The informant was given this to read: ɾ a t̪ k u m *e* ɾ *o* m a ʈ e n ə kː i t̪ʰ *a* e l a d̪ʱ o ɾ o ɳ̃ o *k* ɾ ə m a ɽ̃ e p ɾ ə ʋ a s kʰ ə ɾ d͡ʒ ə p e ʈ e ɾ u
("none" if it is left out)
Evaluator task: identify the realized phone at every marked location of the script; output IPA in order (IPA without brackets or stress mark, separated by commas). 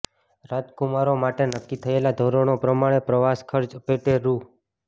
a, o, ə, p